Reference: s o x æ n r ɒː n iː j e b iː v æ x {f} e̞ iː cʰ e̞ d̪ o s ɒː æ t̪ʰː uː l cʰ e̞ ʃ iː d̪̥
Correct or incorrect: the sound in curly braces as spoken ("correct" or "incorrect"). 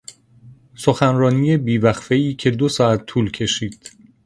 correct